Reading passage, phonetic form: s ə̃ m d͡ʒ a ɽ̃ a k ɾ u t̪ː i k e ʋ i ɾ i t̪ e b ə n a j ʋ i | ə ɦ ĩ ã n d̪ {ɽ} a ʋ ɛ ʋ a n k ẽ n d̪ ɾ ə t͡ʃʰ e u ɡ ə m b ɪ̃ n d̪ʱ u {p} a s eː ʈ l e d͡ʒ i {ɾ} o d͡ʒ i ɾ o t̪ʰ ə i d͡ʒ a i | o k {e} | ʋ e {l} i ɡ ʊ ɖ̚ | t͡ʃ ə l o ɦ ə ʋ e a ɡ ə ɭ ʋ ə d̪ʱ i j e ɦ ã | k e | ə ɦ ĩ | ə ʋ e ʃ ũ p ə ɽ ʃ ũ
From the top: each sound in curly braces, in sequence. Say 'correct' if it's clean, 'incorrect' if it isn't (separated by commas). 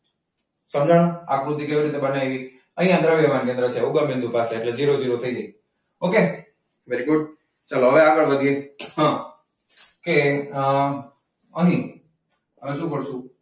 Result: incorrect, correct, correct, correct, incorrect